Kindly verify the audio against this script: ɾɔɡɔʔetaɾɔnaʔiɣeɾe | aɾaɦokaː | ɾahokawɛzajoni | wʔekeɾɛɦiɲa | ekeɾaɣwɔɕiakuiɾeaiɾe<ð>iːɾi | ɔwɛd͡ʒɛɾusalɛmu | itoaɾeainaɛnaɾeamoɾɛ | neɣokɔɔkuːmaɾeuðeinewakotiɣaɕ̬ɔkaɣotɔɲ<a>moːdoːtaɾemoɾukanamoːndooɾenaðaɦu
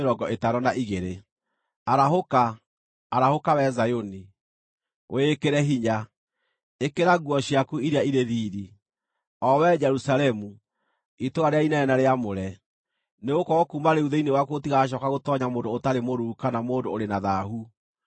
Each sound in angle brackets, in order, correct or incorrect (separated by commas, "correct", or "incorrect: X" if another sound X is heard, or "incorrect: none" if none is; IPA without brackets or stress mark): correct, correct